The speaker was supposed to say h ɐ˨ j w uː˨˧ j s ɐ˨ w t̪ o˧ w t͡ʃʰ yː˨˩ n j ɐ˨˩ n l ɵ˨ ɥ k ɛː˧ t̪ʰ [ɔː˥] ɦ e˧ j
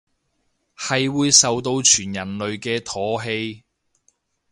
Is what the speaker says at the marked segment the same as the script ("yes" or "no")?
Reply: no